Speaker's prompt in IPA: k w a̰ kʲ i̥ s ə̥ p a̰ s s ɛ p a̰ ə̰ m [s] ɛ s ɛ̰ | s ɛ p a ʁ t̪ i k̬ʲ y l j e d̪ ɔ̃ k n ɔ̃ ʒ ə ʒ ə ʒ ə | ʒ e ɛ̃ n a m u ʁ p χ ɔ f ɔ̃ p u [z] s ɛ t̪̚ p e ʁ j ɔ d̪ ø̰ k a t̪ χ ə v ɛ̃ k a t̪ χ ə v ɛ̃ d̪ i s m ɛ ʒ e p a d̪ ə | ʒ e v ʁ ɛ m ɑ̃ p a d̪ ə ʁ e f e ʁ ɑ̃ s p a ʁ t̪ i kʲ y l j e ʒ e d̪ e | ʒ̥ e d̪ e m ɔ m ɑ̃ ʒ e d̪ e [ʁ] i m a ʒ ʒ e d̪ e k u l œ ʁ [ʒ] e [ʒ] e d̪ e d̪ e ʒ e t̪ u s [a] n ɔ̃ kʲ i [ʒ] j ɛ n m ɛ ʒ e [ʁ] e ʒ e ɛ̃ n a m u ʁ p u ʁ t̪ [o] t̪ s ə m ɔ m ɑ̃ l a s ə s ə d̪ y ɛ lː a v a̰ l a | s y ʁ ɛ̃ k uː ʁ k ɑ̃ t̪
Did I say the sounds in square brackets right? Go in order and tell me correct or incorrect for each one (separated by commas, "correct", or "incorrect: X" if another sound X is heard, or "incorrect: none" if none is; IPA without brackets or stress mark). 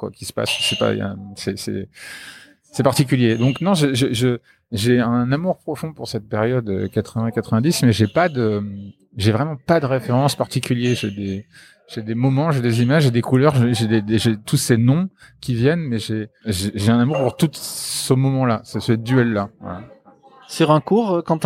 correct, incorrect: ʁ, incorrect: z, correct, correct, incorrect: e, incorrect: v, incorrect: ʒ, incorrect: u